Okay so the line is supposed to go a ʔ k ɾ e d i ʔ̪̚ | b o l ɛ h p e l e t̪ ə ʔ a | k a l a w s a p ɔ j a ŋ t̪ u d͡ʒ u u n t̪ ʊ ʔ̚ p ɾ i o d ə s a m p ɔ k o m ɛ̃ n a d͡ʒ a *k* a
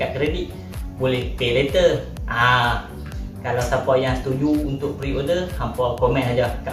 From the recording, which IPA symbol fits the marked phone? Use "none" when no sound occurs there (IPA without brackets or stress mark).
k